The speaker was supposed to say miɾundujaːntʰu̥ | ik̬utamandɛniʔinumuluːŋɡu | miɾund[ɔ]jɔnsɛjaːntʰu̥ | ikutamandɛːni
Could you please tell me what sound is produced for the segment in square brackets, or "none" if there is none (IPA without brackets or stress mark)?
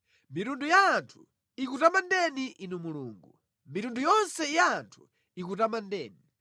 u